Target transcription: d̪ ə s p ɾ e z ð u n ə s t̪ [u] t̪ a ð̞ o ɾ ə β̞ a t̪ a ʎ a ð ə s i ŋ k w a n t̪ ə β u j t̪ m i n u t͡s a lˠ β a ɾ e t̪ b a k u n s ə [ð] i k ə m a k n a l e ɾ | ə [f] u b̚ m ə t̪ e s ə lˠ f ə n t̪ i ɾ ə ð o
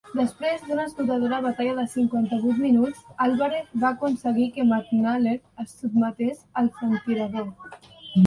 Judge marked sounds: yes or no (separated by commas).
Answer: yes, no, no